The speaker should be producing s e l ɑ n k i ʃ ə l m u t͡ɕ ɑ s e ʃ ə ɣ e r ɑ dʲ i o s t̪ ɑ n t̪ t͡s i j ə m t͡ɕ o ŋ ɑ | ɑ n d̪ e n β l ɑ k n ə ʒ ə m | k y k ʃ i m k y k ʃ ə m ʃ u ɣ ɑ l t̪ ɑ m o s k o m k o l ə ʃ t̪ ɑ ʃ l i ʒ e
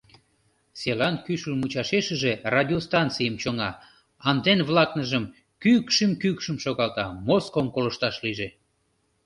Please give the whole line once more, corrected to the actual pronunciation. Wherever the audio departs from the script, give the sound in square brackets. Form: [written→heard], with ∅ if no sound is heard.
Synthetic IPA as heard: s e l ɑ n k [i→y] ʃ ə l m u t͡ɕ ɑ [s→ʃ] e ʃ ə [ɣ→ʒ] e r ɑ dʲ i o s t̪ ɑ n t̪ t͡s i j ə m t͡ɕ o ŋ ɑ | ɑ n d̪ e n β l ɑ k n ə ʒ ə m | k y k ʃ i m k y k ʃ ə m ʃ [u→o] ɣ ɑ l t̪ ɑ m o s k o m k o l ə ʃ t̪ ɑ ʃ l i ʒ e